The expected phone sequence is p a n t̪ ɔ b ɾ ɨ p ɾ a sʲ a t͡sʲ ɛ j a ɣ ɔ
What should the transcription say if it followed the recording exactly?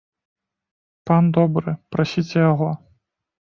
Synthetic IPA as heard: p a n d̪ ɔ b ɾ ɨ p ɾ a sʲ i t͡sʲ ɛ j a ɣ ɔ